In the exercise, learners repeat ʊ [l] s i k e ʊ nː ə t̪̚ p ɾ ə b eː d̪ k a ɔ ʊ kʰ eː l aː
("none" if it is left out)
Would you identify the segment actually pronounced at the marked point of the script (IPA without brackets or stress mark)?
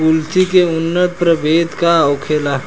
l